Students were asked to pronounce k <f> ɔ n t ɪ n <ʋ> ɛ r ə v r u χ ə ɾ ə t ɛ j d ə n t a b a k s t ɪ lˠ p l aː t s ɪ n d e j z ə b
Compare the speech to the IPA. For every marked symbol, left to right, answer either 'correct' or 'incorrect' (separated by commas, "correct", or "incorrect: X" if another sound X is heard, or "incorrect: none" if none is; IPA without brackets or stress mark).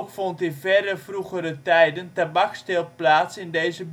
correct, incorrect: v